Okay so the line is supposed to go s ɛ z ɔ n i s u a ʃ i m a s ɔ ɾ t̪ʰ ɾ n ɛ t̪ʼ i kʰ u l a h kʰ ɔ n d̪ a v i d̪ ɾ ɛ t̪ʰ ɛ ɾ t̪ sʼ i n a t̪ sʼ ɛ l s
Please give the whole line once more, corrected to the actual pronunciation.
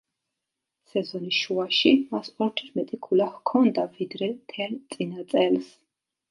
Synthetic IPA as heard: s ɛ z ɔ n i ʃ u a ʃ i m a s ɔ ɾ t̪ʰ ɾ m ɛ t̪ʼ i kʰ u l a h kʰ ɔ n d̪ a v i d̪ ɾ ɛ t̪ʰ ɛ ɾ t̪ sʼ i n a t̪ sʼ ɛ l s